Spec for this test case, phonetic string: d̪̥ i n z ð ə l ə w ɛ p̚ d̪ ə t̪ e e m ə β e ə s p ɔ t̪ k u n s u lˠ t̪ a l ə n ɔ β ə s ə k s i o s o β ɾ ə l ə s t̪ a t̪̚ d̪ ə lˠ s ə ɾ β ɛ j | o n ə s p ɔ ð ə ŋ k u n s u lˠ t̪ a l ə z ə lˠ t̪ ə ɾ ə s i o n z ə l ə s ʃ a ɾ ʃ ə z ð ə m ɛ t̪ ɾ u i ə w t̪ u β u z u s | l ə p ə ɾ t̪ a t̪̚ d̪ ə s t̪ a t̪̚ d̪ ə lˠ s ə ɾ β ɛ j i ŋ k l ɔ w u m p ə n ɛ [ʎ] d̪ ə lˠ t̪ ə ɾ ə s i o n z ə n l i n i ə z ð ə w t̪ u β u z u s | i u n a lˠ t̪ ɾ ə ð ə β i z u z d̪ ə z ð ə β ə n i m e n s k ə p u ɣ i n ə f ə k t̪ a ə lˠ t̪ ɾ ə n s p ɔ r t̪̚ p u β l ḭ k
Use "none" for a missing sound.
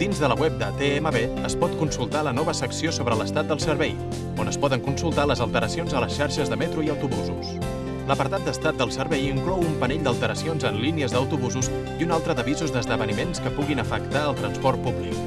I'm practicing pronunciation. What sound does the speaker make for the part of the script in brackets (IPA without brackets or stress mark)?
ʎ